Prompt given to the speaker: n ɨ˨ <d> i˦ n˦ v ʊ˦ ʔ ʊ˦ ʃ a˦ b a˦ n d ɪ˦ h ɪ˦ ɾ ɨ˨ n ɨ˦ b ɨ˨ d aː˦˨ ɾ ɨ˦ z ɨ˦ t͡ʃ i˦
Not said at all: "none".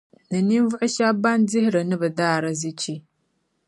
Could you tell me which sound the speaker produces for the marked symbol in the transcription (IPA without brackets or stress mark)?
n